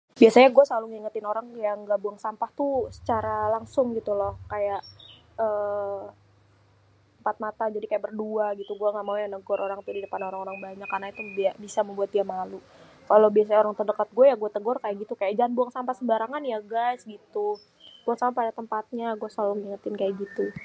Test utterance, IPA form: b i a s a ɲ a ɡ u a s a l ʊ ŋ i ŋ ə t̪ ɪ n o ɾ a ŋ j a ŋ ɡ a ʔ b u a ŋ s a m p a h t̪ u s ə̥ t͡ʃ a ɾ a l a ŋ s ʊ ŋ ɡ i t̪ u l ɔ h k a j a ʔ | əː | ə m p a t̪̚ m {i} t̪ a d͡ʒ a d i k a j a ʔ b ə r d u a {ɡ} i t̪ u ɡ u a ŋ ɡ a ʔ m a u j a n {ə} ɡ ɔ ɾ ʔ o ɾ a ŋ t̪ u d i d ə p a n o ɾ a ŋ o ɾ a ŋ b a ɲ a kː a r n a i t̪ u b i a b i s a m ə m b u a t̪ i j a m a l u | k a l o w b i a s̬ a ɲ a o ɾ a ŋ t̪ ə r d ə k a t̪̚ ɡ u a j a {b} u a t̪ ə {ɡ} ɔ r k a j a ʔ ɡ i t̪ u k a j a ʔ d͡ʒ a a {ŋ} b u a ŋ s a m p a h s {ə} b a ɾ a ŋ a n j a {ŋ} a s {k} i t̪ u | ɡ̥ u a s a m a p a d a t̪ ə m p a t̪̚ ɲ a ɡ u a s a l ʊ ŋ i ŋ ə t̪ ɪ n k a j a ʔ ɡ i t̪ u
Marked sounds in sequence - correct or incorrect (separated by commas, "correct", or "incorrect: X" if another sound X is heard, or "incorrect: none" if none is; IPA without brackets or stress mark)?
incorrect: a, correct, correct, incorrect: ɡ, correct, incorrect: n, correct, incorrect: ɡ, incorrect: ɡ